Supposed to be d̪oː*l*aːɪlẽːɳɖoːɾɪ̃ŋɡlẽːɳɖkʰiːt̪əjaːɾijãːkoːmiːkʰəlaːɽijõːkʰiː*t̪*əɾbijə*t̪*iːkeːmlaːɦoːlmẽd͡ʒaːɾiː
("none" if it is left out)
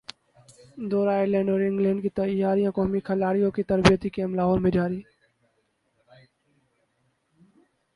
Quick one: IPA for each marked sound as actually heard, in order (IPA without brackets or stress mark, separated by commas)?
ɾ, t̪, t̪